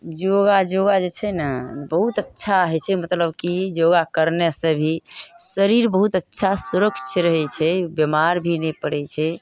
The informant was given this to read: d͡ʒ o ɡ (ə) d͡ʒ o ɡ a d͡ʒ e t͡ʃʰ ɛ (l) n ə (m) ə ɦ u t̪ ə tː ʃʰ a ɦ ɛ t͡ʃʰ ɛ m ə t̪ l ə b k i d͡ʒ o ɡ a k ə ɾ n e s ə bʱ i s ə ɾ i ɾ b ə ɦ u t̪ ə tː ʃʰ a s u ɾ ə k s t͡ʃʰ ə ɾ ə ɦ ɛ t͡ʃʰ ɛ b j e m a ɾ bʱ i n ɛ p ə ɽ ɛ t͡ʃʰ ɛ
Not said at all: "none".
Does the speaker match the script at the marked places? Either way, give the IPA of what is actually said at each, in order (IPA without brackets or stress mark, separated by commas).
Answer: a, none, b